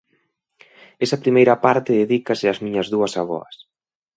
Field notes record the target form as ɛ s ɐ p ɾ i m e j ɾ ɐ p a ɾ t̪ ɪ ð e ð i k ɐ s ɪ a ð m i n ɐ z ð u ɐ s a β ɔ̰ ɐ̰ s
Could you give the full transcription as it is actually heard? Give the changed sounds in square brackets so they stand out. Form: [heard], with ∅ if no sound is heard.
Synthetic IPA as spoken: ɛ s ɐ p ɾ i m e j ɾ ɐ p a ɾ t̪ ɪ ð e ð i k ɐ s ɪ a [z] m i [ɲ] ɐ z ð u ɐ s a β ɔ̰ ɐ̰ s